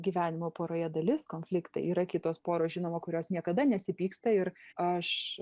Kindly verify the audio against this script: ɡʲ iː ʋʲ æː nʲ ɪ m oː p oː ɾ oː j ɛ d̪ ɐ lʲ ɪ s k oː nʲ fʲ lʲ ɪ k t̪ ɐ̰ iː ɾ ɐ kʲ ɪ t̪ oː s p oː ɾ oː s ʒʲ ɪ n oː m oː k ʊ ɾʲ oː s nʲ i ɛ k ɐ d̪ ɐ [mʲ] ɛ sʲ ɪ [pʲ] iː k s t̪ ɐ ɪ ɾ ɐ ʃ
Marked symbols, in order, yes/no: no, yes

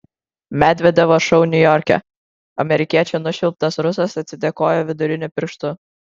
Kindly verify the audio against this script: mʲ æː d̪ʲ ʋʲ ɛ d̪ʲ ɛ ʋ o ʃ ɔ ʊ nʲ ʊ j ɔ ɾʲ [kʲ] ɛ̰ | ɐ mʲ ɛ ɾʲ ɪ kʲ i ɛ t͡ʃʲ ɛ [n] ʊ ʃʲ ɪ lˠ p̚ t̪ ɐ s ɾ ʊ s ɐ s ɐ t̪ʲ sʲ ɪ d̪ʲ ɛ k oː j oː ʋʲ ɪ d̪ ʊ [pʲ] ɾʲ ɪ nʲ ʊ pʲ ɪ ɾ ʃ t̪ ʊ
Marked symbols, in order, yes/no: yes, yes, no

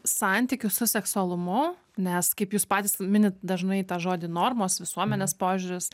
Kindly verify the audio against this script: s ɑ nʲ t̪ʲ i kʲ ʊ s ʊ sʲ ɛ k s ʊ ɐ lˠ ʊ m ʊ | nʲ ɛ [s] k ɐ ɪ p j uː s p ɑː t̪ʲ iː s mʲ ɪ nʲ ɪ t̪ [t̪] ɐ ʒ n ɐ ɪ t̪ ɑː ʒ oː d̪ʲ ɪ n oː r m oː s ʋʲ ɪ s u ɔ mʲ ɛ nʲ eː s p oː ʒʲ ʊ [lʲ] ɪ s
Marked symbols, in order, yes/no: yes, no, no

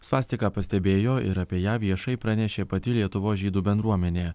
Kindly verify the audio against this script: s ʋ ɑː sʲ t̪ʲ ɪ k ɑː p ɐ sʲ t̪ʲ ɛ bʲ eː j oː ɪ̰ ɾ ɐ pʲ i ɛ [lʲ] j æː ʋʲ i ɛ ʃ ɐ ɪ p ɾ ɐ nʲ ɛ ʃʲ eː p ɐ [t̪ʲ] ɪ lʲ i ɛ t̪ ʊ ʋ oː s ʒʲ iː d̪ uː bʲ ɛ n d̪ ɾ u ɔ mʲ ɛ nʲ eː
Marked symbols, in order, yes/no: no, yes

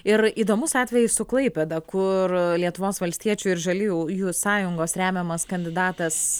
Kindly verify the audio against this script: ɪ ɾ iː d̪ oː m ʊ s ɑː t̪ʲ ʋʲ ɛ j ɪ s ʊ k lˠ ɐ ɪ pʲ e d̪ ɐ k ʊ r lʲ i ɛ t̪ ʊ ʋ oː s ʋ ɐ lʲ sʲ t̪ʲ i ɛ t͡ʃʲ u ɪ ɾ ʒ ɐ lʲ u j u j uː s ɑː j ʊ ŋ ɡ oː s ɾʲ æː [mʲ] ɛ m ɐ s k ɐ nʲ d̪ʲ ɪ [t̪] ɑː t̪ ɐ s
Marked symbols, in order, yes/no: yes, no

